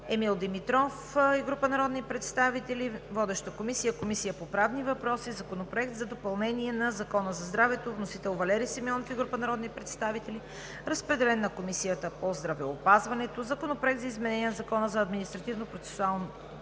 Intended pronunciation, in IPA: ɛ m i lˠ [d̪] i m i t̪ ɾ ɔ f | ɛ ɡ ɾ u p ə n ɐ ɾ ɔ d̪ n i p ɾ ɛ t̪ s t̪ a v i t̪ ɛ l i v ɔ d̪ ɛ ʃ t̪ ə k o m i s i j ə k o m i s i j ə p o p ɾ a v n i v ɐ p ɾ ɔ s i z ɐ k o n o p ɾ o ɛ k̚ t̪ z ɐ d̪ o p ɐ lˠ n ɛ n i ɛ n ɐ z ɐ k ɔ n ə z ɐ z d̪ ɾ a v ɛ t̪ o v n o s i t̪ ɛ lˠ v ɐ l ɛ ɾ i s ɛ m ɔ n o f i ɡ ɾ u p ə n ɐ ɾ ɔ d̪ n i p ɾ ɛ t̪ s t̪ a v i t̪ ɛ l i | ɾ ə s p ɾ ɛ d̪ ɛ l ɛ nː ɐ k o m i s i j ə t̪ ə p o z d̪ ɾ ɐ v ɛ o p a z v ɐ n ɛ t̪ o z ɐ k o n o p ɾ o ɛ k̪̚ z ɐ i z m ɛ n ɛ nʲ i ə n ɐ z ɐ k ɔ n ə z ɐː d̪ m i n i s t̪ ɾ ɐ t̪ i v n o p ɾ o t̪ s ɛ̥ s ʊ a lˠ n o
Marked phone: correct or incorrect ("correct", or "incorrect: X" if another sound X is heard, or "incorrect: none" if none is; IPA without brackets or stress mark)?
correct